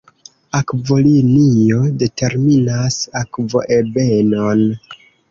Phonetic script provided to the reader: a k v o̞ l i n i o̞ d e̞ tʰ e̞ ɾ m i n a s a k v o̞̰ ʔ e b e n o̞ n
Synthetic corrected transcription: a k v o̞ l i n i o̞ d e̞ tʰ e̞ ɾ m i n a s a k v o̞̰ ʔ e b e n o̞ n